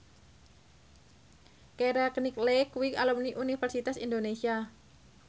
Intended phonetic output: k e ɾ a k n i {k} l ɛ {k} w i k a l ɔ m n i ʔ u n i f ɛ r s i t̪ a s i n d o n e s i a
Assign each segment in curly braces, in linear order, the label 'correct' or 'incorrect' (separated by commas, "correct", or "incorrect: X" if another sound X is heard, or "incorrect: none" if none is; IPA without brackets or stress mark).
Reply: correct, correct